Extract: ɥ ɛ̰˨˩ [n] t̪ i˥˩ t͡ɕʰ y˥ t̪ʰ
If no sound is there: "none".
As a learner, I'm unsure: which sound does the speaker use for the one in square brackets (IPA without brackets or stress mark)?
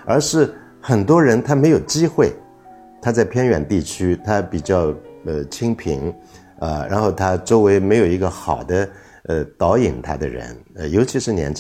n